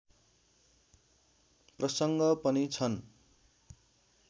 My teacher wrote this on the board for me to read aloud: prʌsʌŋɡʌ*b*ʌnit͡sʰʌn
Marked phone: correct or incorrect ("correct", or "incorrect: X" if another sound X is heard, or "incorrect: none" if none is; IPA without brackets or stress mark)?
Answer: incorrect: p